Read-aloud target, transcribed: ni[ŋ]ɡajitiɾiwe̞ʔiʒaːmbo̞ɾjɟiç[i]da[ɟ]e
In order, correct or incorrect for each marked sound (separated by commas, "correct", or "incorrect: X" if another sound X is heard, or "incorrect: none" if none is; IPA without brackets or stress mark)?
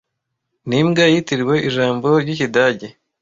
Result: incorrect: m, correct, correct